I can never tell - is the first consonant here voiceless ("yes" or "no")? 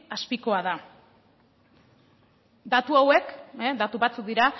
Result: yes